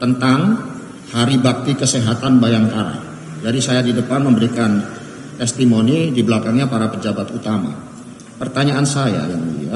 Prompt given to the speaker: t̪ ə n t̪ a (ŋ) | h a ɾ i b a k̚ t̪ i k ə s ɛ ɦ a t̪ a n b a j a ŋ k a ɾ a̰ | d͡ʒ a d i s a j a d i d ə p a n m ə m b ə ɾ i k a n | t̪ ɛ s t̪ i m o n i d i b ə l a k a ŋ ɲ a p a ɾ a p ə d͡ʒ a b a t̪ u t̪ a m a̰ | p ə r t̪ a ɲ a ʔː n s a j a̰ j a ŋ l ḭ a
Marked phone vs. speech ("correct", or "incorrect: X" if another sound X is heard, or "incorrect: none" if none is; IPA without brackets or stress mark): correct